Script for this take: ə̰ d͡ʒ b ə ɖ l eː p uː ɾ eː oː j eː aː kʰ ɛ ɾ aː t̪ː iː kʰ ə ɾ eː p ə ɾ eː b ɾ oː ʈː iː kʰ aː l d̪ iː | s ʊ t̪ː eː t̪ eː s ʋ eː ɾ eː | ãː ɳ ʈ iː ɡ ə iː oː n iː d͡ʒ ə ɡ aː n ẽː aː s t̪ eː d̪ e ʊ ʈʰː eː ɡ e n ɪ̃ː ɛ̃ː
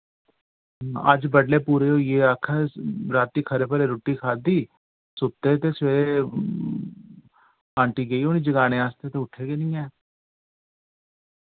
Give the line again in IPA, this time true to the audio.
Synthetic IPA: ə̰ d͡ʒ b ə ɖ l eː p uː ɾ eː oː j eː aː kʰ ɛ ɾ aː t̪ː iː kʰ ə ɾ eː p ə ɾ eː ɾ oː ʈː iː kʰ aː d̪ iː | s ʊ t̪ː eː t̪ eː s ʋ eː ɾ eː | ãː ɳ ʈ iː ɡ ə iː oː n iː d͡ʒ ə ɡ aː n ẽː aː s t̪ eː t̪ e ʊ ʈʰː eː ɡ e n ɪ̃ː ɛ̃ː